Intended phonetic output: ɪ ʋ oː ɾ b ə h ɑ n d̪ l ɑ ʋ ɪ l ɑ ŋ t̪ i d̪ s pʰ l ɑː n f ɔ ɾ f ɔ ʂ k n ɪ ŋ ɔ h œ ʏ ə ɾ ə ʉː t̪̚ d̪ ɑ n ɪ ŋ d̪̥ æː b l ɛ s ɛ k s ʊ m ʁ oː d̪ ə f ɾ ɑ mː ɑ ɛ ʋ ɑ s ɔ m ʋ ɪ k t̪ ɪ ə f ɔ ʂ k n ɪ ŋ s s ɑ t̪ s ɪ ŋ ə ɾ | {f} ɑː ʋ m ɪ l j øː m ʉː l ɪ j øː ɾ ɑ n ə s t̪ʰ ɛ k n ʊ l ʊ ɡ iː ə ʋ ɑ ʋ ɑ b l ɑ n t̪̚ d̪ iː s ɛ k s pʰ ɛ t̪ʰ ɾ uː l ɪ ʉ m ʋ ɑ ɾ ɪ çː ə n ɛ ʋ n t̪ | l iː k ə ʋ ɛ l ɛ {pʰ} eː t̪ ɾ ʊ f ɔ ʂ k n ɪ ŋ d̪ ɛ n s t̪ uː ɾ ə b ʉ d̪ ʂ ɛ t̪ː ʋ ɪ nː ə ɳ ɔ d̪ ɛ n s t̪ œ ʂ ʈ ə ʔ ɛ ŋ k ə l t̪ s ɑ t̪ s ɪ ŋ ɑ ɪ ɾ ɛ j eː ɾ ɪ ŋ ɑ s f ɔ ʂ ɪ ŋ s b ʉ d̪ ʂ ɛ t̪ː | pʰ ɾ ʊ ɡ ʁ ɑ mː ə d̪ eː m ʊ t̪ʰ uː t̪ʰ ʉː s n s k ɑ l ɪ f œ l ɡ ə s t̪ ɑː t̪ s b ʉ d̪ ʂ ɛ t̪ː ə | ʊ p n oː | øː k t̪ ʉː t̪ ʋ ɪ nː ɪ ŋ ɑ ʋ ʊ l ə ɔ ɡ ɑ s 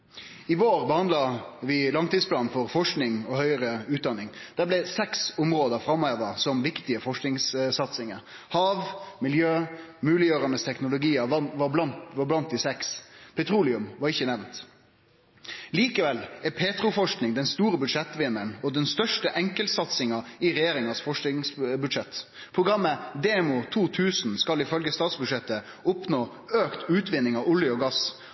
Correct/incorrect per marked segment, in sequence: incorrect: h, correct

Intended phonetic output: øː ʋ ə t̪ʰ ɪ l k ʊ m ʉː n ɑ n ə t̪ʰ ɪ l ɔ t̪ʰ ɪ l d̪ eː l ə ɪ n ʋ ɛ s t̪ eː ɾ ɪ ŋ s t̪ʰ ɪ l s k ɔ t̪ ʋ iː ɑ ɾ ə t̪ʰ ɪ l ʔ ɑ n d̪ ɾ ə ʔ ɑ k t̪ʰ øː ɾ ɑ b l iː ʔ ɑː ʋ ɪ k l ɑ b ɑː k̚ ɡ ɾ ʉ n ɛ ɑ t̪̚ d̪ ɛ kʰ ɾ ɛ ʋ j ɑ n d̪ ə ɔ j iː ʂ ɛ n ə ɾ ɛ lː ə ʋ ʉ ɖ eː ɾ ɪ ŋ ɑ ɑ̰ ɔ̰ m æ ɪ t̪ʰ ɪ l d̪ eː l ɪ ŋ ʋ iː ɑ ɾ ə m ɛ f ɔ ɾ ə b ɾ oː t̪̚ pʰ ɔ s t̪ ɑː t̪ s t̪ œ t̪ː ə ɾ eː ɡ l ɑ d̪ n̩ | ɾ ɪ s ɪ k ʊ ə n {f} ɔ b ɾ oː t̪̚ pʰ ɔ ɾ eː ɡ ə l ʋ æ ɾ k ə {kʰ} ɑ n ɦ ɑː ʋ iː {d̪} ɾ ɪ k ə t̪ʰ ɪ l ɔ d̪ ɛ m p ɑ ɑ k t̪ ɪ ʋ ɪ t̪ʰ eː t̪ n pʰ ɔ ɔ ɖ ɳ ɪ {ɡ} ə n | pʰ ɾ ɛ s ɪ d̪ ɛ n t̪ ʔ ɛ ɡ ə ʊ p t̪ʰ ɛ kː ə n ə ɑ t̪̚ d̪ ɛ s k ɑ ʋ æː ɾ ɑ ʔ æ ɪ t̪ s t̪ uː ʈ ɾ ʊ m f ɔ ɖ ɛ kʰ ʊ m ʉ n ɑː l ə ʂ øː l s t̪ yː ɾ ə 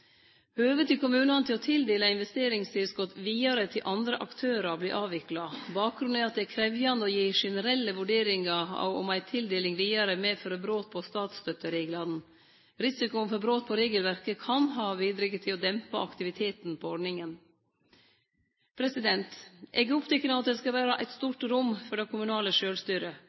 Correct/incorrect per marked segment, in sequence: correct, correct, correct, incorrect: ŋ

